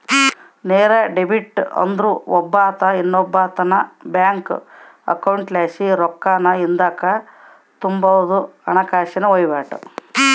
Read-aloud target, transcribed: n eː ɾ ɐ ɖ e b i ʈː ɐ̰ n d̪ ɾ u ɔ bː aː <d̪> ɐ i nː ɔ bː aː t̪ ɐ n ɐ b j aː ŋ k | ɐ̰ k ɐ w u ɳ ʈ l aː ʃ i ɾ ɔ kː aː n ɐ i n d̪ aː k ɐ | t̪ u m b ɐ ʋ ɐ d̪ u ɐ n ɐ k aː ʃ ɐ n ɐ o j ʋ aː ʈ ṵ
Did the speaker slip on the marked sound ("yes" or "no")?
yes